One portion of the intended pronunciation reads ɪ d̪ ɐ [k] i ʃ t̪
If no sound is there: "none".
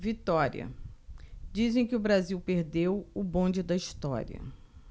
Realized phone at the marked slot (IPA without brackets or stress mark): none